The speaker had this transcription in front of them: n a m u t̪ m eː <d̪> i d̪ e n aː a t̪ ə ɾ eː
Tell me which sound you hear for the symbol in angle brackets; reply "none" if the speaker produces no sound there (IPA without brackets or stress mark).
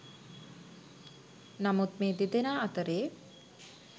d̪